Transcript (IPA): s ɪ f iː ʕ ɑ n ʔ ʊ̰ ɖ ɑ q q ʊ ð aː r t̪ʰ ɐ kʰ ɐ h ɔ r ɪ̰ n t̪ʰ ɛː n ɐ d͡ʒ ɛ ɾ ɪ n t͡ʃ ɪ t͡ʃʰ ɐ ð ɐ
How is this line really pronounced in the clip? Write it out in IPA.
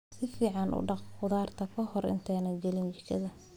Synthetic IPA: s ɪ f iː ʕ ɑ n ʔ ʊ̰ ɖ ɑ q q ʊ ð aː r t̪ʰ ɐ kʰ ɐ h ɔ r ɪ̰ n t̪ʰ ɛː n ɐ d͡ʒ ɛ l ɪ n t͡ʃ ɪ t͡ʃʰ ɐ ð ɐ